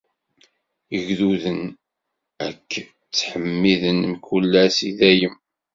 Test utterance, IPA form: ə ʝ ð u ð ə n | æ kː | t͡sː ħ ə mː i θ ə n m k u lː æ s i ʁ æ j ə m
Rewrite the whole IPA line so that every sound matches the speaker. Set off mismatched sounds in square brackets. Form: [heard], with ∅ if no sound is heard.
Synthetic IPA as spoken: ə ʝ ð u ð ə n | æ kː | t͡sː ħ ə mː i [ð] ə n m k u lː æ s i [ð] æ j ə m